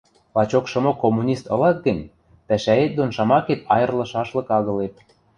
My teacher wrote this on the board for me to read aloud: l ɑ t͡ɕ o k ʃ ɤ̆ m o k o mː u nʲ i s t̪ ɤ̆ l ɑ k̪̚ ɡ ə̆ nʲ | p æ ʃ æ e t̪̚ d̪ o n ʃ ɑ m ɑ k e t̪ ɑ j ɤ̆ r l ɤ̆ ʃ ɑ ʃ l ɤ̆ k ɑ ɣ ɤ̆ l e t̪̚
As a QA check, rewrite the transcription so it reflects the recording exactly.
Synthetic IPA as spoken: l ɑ t͡ɕ o k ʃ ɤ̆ m o k o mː u nʲ i s t̪ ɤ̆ l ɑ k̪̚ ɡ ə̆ nʲ | p æ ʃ æ e t̪̚ d̪ o n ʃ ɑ m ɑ k e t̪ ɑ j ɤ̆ r l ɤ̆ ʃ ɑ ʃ l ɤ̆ k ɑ ɣ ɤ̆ l e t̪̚